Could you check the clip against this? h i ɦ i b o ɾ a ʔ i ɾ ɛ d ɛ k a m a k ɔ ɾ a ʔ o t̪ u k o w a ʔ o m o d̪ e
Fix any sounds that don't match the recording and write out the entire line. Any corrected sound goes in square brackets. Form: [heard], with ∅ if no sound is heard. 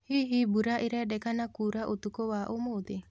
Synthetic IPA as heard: h i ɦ i b [u] ɾ a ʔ i ɾ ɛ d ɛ k a [n] a k [u] ɾ a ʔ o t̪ u k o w a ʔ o m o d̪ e

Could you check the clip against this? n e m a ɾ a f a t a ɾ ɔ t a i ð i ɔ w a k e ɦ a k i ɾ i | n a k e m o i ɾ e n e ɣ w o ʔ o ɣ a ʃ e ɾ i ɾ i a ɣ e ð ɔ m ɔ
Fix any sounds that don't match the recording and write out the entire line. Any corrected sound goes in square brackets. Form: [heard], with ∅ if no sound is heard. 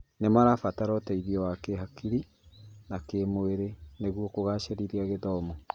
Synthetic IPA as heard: n e m a ɾ a f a t a ɾ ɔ t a i ð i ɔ w a k e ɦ a k i ɾ i | n a k e m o [e] ɾ e n e ɣ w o [k] o ɣ a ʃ e ɾ i ɾ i a ɣ e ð ɔ m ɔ

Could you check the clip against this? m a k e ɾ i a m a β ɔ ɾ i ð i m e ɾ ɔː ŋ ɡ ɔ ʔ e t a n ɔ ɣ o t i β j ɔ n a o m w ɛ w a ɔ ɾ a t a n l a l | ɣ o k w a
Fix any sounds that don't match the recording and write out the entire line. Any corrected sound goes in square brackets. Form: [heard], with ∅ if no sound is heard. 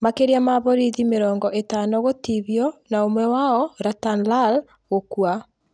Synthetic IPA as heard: m a k e ɾ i a m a β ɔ ɾ i ð i m e ɾ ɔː ŋ ɡ ɔ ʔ e t a n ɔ ɣ o t i β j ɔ n a o m w ɛ w a ɔ ɾ a t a n l a l | ɣ o k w a

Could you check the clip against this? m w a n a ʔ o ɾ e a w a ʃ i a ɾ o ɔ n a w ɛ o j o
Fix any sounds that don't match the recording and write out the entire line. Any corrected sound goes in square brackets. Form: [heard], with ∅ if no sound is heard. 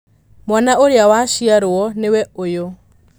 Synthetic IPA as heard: m w a n a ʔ o ɾ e a w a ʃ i a ɾ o ɔ n [e] w ɛ o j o

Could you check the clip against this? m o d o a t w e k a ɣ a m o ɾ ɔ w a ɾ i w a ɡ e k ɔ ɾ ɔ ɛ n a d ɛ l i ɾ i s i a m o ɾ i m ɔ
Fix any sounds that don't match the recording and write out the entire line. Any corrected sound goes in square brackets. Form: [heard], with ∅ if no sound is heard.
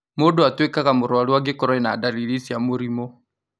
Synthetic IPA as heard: m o d o a t w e k a ɣ a m o ɾ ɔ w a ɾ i w a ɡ e k ɔ ɾ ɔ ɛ n a d [a] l i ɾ i s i a m o ɾ i m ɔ

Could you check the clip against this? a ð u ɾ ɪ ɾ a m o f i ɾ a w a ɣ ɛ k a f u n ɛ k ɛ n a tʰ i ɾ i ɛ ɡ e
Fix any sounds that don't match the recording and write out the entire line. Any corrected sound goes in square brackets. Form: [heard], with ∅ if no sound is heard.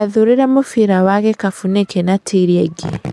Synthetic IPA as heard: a ð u ɾ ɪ ɾ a m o f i ɾ a w a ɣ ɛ k a f u n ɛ k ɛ n a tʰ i ɾ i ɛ ɡ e

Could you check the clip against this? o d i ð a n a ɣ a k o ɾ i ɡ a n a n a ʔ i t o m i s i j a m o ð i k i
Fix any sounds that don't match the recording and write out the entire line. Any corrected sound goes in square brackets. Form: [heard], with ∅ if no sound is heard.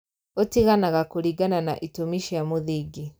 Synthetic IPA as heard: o [t] i [ɣ] a n a ɣ a k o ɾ i ɡ a n a n a ʔ i t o m i [ʃ] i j a m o ð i [ɡ] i

